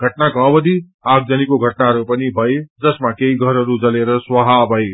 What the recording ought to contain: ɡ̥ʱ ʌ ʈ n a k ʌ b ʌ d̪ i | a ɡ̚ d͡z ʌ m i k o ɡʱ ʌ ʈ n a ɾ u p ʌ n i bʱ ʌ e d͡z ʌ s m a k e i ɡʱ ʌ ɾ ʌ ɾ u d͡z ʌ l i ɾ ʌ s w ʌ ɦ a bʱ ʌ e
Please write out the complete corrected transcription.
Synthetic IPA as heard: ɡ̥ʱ ʌ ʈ n a k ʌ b ʌ d̪ i | a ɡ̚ d͡z ʌ n i k o ɡʱ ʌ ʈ n a ɾ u p ʌ n i bʱ ʌ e d͡z ʌ s m a k e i ɡʱ ʌ ɾ ʌ ɾ u d͡z ʌ l e ɾ ʌ s w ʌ ɦ a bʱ ʌ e